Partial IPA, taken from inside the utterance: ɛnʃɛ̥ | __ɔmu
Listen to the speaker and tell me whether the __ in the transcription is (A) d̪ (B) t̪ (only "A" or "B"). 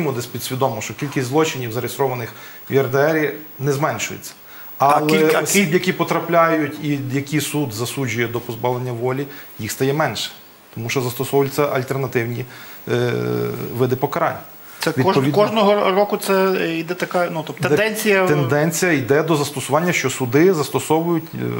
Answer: B